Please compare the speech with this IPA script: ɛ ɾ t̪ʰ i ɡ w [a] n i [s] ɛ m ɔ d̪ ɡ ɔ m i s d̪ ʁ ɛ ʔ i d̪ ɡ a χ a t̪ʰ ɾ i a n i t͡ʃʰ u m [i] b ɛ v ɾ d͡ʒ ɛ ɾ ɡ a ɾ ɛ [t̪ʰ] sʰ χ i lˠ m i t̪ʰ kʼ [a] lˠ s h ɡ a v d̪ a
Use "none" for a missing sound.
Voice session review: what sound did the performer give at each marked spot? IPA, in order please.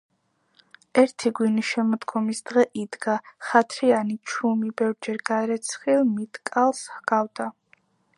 i, ʃ, i, t̪, a

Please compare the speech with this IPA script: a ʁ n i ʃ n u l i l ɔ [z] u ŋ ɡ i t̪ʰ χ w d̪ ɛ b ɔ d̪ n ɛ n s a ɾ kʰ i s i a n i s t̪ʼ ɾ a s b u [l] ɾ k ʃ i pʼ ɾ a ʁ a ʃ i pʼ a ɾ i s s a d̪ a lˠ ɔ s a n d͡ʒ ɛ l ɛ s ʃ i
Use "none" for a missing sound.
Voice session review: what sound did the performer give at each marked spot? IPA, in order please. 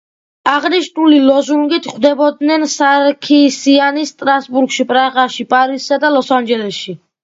z, none

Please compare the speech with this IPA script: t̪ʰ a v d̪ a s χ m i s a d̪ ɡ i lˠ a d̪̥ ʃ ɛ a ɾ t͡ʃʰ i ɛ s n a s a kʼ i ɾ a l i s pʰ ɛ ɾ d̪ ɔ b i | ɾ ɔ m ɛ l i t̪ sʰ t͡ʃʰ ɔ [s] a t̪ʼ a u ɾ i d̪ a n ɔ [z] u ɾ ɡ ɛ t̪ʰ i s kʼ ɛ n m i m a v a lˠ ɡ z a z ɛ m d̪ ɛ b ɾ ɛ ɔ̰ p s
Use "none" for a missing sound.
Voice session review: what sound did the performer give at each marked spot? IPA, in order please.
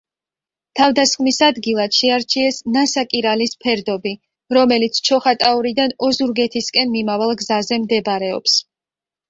χ, z

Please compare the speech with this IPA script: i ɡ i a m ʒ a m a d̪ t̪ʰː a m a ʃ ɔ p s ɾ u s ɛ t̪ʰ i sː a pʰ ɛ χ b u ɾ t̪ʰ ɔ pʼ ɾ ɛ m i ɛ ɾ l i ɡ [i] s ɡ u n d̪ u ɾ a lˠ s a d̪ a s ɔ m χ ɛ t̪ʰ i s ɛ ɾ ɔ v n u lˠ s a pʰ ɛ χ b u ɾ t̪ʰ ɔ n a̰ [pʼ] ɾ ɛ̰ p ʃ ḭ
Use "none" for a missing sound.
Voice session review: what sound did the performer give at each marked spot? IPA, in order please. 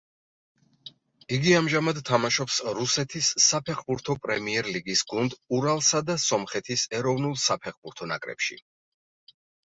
i, kʼ

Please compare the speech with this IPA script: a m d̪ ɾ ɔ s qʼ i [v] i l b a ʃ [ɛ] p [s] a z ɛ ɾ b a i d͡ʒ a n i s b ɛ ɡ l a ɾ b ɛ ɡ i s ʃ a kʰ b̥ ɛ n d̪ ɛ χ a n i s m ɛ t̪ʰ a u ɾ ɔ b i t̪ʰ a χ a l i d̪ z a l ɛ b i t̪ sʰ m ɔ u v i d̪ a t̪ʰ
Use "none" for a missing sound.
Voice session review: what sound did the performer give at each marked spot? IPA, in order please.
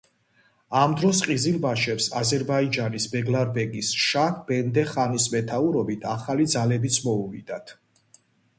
z, ɛ, s

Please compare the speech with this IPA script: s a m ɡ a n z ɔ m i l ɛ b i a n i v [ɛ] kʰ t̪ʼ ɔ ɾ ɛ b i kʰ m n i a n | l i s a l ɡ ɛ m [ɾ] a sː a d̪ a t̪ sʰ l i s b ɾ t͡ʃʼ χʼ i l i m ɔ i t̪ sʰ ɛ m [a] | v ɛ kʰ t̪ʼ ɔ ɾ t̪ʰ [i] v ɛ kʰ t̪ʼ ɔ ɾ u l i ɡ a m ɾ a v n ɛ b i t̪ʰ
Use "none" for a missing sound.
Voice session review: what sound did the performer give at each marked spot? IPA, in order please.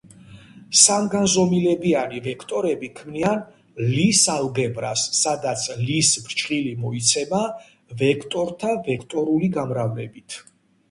ɛ, ɾ, a, a

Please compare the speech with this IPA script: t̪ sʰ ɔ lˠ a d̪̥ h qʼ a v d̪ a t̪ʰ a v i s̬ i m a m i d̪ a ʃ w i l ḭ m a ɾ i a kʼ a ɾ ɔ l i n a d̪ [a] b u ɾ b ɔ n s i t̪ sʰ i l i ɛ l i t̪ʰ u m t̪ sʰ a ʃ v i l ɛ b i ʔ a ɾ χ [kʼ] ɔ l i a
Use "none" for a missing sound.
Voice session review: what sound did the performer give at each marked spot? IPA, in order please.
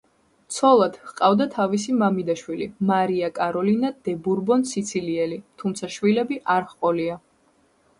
ɛ, qʼ

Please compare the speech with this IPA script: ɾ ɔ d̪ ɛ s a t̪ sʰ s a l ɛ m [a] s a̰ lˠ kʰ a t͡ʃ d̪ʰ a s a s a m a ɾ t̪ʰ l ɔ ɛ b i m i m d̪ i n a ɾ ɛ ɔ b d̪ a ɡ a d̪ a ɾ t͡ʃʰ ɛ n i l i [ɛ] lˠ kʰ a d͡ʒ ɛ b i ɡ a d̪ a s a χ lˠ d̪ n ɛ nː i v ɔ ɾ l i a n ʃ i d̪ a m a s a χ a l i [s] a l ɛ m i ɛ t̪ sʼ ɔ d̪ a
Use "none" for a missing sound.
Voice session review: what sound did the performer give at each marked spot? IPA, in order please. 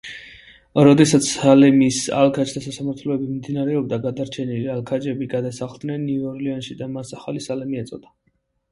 i, a, s

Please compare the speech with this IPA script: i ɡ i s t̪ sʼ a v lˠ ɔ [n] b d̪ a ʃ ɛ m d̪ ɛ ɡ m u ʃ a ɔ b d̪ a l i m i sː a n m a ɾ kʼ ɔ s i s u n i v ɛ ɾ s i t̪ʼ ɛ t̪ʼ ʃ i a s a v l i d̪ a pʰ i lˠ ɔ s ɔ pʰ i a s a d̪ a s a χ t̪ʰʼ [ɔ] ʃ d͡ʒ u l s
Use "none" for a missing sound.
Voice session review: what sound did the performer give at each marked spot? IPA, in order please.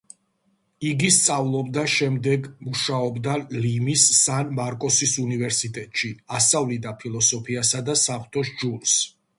none, ɔ

